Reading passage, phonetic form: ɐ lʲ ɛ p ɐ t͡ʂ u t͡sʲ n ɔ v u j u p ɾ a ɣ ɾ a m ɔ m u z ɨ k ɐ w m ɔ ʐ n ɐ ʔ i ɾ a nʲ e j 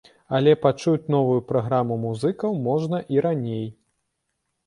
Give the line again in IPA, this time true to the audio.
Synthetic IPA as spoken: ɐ lʲ ɛ p a t͡ʂ u t͡sʲ n ɔ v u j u p ɾ a ɣ ɾ a m u m u z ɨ k ɐ w m ɔ ʐ n ɐ ʔ i ɾ a nʲ e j